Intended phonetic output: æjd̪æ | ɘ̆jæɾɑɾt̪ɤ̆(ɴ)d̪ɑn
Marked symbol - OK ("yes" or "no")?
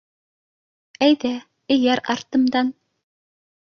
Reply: no